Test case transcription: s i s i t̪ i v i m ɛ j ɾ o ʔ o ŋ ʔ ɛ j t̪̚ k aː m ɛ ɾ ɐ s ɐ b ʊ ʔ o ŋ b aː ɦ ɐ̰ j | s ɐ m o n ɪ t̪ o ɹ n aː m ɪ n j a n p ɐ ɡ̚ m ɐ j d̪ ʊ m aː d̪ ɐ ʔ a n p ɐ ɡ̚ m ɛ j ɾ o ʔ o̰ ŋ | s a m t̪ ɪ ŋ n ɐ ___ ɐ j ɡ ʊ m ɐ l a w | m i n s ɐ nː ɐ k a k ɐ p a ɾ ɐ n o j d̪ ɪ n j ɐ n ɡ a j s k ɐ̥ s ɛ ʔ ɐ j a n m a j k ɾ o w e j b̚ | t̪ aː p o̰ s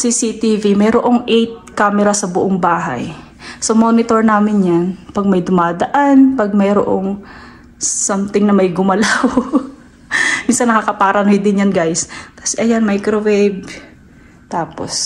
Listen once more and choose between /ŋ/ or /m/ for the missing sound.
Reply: m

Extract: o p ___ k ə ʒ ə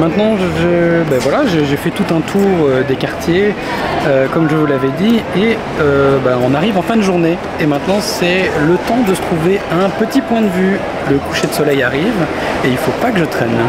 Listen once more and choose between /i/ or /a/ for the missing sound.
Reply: a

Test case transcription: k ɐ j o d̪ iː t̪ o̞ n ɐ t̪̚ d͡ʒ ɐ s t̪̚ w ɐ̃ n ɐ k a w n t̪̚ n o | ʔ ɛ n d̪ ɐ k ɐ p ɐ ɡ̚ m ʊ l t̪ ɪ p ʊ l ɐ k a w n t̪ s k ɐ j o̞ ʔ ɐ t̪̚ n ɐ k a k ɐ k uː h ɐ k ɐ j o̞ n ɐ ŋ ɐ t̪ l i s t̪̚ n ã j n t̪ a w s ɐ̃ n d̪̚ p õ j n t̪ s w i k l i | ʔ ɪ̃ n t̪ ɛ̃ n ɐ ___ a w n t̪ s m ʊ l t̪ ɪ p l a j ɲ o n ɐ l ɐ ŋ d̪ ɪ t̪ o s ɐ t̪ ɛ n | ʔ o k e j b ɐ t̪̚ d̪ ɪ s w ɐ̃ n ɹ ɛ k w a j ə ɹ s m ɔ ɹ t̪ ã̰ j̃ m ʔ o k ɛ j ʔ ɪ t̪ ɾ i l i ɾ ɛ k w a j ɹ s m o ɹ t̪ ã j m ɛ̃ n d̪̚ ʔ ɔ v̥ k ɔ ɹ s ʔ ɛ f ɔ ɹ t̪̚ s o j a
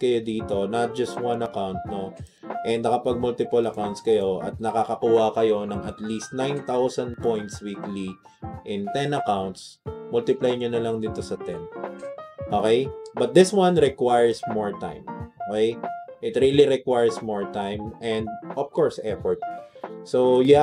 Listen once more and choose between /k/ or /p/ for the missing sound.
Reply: k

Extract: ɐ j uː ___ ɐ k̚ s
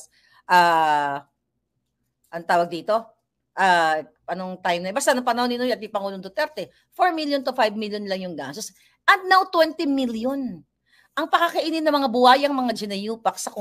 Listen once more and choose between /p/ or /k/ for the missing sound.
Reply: p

